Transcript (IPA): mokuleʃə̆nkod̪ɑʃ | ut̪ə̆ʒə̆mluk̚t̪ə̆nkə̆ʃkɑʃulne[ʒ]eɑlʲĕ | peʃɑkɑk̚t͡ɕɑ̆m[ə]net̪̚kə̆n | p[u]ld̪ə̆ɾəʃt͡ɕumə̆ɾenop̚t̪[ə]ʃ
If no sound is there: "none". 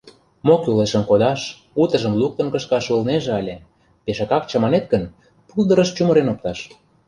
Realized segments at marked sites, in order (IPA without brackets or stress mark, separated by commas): ʒ, ɑ, u, ɑ